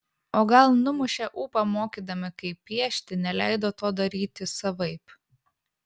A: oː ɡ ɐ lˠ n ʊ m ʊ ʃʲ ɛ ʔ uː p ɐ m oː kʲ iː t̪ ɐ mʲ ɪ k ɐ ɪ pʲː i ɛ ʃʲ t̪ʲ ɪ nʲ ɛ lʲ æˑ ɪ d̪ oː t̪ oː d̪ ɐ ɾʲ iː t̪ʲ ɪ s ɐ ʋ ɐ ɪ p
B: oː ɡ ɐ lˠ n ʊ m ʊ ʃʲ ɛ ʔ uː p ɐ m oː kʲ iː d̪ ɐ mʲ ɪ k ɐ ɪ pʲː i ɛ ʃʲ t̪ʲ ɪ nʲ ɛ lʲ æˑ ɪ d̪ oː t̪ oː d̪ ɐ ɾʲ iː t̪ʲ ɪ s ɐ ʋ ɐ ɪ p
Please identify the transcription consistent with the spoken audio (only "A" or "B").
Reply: B